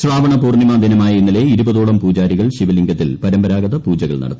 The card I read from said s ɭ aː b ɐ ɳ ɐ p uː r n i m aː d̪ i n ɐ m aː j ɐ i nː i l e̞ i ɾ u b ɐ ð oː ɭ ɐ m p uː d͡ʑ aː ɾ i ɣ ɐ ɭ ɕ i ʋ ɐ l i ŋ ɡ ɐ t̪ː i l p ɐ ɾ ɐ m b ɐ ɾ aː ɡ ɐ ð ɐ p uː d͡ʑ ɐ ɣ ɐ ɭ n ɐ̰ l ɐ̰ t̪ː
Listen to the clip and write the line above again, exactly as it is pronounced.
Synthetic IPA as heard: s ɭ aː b ɐ ɳ ɐ p uː r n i m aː d̪ i n ɐ m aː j ɐ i nː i l e̞ i ɾ u b ɐ ð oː ɭ ɐ m p uː d͡ʑ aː ɾ i ɣ ɐ ɭ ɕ i ʋ ɐ l i ŋ ɡ ɐ t̪ː i l p ɐ ɾ ɐ m b ɐ ɾ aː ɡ ɐ ð ɐ p uː d͡ʑ ɐ ɣ ɐ ɭ n ɐ̰ ɽ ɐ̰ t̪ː